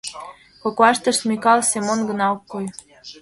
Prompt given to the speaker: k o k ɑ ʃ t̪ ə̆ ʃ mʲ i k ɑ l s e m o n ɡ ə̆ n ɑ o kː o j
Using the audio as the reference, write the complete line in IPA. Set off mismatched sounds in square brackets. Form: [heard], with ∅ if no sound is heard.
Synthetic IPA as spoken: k o k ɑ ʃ t̪ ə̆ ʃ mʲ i k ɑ l s e m o n ɡ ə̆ n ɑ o kː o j